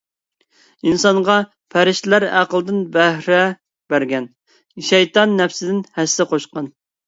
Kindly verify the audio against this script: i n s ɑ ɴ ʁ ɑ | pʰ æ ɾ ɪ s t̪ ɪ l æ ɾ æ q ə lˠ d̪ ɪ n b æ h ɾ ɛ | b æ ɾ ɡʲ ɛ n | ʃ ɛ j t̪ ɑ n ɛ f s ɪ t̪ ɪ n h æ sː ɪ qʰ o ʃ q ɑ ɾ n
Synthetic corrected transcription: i n s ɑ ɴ ʁ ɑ | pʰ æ ɾ ɪ ʃ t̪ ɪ l æ ɾ æ q ə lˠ d̪ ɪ n b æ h ɾ ɛ | b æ ɾ ɡʲ ɛ n | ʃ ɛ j t̪ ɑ nː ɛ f s ɪ d̪ ɪ n h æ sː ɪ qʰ o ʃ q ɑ n